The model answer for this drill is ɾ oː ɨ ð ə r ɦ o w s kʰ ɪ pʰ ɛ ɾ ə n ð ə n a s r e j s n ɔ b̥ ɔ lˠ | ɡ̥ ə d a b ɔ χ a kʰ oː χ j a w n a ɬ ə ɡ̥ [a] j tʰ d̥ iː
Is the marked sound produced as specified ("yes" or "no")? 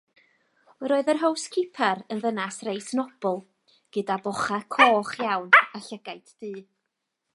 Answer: yes